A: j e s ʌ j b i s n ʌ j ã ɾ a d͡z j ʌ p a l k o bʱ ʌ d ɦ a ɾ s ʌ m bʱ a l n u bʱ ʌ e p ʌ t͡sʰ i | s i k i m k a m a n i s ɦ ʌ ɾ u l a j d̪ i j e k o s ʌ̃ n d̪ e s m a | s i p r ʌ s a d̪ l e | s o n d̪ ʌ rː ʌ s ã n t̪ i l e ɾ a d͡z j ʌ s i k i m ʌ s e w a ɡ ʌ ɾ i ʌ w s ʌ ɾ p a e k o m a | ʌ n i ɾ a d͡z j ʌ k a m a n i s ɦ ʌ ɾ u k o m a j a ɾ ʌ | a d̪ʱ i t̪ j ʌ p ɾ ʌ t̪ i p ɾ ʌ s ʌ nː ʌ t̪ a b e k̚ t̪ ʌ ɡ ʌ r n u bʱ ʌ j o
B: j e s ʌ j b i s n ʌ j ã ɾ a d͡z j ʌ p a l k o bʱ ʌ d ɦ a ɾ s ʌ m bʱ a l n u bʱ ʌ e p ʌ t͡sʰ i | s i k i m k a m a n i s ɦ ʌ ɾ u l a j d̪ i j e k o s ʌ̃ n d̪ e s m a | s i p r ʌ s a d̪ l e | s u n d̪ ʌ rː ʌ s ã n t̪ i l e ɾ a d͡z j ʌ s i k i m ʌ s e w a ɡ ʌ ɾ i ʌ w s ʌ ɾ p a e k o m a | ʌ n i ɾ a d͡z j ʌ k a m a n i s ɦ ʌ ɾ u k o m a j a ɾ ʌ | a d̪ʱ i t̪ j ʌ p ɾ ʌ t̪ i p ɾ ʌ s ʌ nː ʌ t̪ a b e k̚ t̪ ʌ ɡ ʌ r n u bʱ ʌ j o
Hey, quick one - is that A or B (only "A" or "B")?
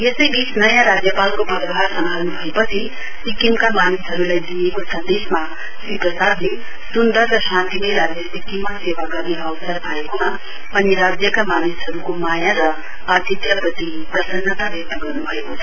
B